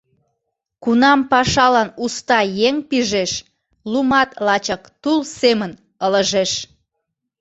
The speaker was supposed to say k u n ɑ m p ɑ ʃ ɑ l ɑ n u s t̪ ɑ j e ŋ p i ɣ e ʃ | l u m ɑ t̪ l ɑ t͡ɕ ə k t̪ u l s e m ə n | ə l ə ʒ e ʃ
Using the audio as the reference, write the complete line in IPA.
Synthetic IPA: k u n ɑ m p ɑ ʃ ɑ l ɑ n u s t̪ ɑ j e ŋ p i ʒ e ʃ | l u m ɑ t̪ l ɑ t͡ɕ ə k t̪ u l s e m ə n | ə l ə ʒ e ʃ